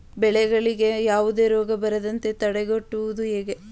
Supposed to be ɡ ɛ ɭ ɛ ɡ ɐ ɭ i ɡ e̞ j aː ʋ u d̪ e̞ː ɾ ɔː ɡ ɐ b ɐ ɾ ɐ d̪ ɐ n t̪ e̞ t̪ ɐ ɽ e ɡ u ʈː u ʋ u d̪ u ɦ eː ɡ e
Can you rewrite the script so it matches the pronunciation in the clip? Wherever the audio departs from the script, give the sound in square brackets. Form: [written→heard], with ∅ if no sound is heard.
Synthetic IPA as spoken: [ɡ→b] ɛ ɭ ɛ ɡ ɐ ɭ i ɡ e̞ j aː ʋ u d̪ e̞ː ɾ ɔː ɡ ɐ b ɐ ɾ ɐ d̪ ɐ n t̪ e̞ t̪ ɐ ɽ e ɡ [u→o] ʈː u ʋ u d̪ u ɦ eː ɡ e